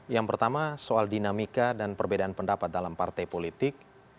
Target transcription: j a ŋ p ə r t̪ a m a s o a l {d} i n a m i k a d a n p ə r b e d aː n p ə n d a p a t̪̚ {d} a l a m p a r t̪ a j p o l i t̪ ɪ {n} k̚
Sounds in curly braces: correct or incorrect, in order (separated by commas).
correct, correct, incorrect